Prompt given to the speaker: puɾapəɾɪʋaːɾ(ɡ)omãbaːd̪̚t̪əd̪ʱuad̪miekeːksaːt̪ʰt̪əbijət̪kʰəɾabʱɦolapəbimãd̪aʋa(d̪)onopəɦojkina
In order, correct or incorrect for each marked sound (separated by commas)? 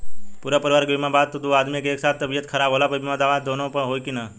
correct, correct